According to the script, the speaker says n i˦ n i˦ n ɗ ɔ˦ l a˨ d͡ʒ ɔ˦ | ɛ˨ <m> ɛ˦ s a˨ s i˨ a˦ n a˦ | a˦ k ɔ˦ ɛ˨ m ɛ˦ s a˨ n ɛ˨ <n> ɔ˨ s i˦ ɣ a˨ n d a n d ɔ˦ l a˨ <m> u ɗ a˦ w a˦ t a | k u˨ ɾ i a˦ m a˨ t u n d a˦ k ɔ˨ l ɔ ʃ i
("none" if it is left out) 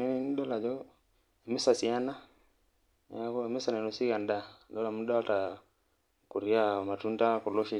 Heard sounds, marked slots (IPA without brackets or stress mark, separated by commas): m, n, m